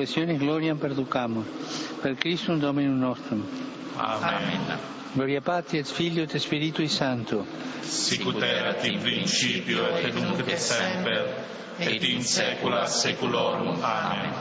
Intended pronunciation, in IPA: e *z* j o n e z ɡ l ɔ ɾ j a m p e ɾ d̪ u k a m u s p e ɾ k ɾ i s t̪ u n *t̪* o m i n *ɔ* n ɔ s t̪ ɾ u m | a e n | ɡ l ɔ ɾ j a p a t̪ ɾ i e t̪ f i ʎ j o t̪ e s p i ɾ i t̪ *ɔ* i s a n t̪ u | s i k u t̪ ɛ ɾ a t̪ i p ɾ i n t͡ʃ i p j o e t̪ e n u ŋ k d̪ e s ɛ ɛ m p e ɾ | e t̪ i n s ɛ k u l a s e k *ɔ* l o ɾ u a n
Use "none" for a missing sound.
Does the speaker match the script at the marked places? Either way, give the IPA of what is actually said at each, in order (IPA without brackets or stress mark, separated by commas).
s, d̪, u, u, u